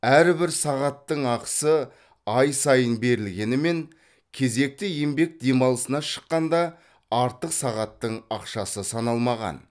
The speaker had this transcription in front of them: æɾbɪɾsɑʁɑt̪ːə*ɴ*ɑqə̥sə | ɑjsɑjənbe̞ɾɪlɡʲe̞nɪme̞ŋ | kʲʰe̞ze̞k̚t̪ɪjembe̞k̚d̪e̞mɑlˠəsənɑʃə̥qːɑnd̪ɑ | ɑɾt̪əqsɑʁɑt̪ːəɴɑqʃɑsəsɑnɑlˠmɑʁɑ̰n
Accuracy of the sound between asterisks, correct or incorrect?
correct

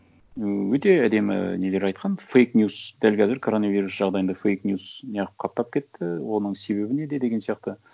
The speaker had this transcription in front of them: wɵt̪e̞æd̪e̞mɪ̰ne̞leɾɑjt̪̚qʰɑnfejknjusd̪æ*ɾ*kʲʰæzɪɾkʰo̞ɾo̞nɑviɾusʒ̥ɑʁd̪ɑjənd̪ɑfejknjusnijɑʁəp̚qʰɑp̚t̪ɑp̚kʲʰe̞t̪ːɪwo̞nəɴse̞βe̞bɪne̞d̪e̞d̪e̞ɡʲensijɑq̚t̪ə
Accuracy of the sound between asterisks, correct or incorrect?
incorrect: l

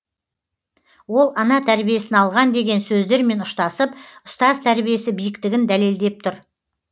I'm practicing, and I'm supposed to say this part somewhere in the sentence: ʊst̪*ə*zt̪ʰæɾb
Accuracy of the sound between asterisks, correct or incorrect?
incorrect: ɑ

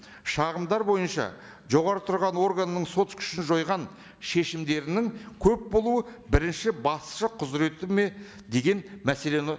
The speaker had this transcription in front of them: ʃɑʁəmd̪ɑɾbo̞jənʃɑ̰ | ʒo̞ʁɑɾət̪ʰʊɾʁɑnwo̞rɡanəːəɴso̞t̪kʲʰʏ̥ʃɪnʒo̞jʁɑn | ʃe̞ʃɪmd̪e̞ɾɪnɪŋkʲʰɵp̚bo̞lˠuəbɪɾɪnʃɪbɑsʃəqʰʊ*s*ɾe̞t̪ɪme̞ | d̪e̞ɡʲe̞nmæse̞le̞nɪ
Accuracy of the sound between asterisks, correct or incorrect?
incorrect: z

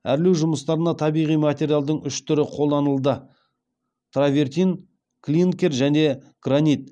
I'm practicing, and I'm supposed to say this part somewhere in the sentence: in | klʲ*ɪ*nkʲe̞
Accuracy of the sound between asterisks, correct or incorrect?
incorrect: i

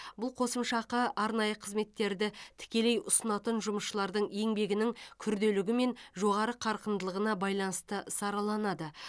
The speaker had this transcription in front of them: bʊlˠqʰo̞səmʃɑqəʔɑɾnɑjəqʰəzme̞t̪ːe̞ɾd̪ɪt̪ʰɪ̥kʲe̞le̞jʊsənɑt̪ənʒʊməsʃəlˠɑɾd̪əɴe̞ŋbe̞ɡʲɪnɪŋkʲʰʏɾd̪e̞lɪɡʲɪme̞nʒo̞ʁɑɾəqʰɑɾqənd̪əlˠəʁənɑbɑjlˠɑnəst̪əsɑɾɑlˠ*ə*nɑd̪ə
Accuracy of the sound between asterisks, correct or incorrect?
incorrect: ɑ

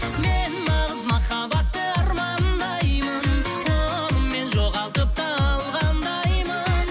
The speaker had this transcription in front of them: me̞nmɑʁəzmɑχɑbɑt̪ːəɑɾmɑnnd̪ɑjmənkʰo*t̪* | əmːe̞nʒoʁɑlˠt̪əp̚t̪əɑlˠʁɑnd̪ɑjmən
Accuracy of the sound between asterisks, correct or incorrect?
incorrect: none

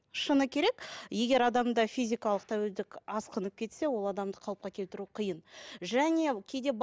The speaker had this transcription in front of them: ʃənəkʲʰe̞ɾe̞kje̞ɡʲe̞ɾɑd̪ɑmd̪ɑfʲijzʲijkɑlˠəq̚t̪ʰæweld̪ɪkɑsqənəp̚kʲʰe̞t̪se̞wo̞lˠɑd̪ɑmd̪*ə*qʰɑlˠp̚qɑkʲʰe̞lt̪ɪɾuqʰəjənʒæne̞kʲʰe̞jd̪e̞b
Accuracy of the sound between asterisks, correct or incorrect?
correct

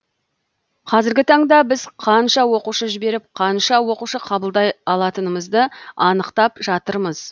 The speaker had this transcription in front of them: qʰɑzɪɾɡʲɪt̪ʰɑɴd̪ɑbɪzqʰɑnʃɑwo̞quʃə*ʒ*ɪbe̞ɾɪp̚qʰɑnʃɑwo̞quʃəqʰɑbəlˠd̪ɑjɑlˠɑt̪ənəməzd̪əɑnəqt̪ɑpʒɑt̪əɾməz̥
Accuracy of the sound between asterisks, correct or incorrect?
correct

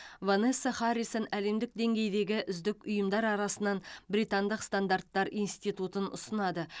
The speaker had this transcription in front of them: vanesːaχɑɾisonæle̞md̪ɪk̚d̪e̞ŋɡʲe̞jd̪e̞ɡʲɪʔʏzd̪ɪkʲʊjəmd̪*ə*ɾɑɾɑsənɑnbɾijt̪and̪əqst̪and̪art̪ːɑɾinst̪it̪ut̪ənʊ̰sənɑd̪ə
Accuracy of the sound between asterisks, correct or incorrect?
incorrect: ɑ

